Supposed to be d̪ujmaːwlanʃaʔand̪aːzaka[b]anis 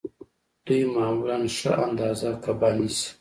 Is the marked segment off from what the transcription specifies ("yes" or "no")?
no